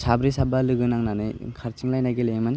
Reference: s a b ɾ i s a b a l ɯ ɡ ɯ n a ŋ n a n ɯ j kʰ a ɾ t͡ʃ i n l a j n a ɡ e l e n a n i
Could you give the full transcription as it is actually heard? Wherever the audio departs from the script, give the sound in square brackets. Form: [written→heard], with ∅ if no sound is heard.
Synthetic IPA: s a b ɾ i s a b a l ɯ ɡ ɯ n a ŋ n a n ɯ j kʰ a ɾ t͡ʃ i [n→ŋ] l a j n a ɡ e l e [n→m] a n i